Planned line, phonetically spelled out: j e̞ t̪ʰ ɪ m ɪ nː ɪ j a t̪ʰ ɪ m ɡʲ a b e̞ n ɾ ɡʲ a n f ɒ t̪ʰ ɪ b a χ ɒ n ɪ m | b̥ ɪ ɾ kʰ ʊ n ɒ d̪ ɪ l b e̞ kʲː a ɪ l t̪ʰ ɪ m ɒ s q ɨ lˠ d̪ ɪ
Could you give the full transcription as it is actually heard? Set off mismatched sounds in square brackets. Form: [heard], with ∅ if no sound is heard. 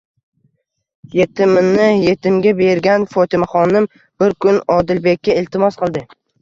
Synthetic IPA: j e̞ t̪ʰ ɪ m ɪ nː ɪ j [e] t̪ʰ ɪ m ɡʲ a b e̞ [∅] ɾ ɡʲ a n f ɒ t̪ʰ ɪ [m] a χ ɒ n ɪ m | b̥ ɪ ɾ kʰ ʊ n ɒ d̪ ɪ l b e̞ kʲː a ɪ l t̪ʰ ɪ m ɒ s q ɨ lˠ d̪ ɪ